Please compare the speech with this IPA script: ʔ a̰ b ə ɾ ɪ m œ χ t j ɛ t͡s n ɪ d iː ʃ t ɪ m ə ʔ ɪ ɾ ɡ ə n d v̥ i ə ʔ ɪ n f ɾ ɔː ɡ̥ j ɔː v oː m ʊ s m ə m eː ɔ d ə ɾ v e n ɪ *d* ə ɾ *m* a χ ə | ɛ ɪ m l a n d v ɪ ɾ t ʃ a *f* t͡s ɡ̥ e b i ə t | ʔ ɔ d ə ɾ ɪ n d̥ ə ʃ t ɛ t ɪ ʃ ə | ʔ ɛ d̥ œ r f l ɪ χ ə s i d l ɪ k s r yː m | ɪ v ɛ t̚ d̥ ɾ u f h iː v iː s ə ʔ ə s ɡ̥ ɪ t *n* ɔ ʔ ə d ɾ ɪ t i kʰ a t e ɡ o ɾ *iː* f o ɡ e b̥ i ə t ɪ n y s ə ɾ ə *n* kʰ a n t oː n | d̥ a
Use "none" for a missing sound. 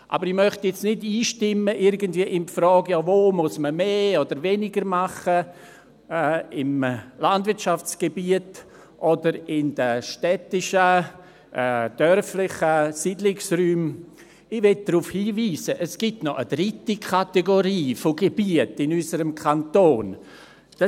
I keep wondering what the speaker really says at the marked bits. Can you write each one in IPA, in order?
ɡ, m, f, n, iː, m

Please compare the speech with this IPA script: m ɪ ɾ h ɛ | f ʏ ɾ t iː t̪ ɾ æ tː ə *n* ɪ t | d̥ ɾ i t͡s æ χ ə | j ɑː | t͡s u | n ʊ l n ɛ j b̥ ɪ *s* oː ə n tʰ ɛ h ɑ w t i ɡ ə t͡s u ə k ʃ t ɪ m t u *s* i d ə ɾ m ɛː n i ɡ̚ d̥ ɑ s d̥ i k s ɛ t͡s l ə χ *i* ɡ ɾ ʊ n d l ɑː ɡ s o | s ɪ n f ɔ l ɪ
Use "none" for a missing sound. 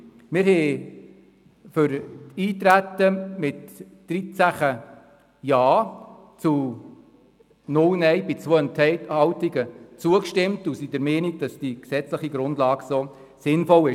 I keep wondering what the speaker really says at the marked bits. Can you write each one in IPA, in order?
m, t͡s, s, i

